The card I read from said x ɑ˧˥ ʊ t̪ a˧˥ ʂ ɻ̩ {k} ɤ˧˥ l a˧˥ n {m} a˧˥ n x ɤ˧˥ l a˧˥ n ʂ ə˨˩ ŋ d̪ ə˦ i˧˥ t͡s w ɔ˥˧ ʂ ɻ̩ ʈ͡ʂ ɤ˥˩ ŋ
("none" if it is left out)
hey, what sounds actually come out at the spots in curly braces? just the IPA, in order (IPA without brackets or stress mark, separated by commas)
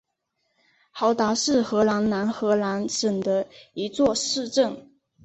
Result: x, n